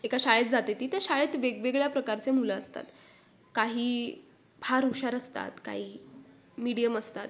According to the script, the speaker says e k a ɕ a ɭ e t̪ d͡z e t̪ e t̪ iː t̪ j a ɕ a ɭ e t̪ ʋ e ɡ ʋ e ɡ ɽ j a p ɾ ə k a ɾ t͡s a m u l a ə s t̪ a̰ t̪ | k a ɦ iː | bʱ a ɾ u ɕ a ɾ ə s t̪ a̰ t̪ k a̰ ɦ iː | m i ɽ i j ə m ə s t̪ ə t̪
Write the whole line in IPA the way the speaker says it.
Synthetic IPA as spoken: e k a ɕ a ɭ e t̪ d͡z a t̪ e t̪ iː t̪ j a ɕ a ɭ e t̪ ʋ e ɡ ʋ e ɡ ɭ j a p ɾ ə k a ɾ t͡s e m u l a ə s t̪ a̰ t̪ | k a ɦ iː | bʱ a ɾ u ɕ a ɾ ə s t̪ a̰ t̪ k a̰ ɦ iː | m i ɽ i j ə m ə s t̪ a t̪